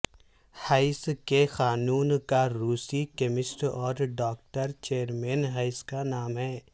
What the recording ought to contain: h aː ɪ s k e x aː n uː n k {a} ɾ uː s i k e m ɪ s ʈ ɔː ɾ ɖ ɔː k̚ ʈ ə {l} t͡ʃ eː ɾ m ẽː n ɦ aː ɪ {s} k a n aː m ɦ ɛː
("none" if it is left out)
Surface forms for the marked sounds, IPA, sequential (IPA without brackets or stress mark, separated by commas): a, ɾ, s